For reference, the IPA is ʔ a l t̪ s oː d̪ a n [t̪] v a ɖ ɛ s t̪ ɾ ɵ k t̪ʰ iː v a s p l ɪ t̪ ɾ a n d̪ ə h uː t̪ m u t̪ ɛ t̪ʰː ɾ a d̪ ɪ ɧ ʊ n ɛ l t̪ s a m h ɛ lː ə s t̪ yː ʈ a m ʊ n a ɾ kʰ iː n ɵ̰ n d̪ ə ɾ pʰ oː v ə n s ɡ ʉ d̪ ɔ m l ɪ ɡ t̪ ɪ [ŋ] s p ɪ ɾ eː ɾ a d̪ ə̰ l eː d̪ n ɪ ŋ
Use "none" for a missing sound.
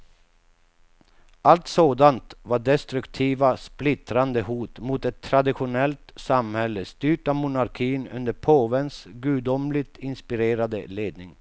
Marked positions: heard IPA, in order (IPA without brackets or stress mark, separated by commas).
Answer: t̪, n